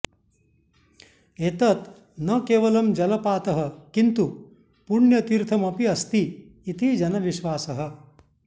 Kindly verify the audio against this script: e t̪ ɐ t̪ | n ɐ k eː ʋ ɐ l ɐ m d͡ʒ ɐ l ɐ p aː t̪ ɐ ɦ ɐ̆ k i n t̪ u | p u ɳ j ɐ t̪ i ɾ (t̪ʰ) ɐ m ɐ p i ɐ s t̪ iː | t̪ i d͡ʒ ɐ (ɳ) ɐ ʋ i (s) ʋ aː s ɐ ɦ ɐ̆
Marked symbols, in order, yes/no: yes, no, no

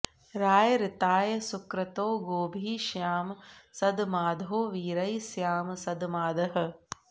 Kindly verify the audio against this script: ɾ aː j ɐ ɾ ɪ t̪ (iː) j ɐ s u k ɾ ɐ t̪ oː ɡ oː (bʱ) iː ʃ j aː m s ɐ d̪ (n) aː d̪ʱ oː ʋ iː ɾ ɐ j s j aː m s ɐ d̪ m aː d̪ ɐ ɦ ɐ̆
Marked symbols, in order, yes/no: no, yes, no

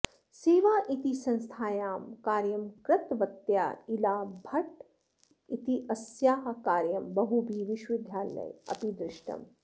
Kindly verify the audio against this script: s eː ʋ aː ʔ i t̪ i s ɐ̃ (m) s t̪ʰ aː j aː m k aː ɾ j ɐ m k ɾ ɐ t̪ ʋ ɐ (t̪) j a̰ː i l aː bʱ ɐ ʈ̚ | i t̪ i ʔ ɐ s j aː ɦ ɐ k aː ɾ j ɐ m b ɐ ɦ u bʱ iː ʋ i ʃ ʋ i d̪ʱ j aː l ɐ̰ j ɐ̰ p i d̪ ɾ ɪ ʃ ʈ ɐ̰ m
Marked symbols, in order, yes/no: no, yes

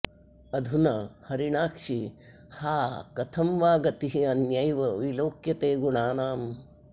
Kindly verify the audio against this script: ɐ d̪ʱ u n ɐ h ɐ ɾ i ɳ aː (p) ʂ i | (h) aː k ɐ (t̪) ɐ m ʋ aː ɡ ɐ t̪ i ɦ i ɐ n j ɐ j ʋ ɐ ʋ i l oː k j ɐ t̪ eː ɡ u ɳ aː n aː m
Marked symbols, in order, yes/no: no, yes, no

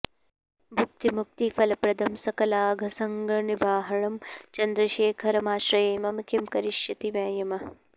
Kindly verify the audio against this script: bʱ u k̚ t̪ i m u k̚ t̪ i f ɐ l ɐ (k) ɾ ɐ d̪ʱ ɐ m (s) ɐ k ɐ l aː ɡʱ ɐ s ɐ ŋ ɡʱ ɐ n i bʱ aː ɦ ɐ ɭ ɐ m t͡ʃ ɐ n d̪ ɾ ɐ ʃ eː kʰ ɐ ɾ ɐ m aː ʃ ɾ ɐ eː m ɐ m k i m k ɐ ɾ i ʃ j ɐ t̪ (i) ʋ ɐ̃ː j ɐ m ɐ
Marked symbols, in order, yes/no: no, yes, yes

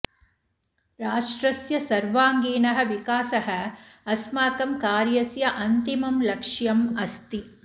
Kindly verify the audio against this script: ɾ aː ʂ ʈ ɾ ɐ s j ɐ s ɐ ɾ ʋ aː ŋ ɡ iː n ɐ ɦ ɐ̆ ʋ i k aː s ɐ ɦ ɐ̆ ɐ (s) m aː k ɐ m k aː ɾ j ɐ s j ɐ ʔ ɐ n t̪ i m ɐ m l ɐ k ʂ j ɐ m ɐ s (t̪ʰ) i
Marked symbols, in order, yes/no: yes, no

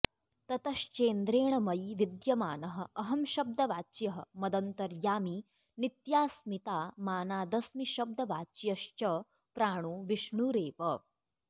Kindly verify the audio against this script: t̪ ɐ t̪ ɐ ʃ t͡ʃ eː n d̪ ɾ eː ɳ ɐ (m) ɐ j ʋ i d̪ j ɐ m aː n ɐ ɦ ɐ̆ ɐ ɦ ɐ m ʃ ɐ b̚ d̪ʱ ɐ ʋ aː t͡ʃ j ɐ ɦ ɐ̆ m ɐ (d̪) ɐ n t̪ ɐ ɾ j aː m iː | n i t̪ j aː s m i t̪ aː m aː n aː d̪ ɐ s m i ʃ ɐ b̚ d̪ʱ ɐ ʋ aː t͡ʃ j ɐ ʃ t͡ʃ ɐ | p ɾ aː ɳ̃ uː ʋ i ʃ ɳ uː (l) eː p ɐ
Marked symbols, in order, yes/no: yes, yes, no

